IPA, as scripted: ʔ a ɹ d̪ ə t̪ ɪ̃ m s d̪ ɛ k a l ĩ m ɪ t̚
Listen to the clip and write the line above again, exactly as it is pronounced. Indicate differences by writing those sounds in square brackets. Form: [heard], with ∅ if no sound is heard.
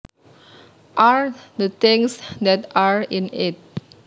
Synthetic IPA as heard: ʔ a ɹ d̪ ə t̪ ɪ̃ [ŋ] s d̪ ɛ [t] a [ɹ] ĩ [n] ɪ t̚